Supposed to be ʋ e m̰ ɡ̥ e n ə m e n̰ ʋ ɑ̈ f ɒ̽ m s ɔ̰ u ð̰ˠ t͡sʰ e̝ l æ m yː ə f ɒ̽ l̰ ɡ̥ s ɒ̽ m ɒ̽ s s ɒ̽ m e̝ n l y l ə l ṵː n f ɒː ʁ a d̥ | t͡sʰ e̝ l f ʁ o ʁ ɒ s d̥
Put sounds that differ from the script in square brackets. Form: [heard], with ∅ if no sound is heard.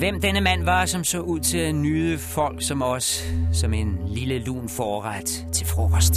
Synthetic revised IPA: ʋ e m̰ [d̥] e n ə m [æ] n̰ ʋ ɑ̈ [s] ɒ̽ m s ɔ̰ u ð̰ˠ t͡sʰ e̝ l æ [n] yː ə f ɒ̽ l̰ ɡ̥ s ɒ̽ m ɒ̽ s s ɒ̽ m e̝ n l [i] l ə l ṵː n f ɒː ʁ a d̥ | t͡sʰ e̝ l f ʁ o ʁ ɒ s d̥